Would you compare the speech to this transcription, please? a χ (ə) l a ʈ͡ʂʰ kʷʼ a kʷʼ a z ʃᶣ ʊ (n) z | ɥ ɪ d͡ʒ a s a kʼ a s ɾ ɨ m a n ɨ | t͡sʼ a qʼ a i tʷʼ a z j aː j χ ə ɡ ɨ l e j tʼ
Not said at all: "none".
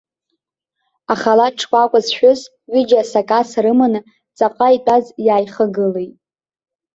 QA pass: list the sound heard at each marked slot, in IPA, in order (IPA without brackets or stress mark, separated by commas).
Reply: a, none